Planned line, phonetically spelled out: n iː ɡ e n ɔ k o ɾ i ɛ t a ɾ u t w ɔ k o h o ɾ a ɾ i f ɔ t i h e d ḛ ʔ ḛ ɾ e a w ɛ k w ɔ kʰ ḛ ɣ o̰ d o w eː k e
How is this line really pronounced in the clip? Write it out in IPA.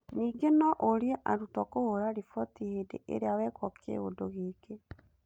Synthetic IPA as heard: n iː ɡ e n ɔ ʔ o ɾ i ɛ ʔ a ɾ u t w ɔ k o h o ɾ a ɾ i f ɔ t i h e d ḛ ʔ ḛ ɾ e a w ɛ k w ɔ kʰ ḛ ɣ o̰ d o ɣ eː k e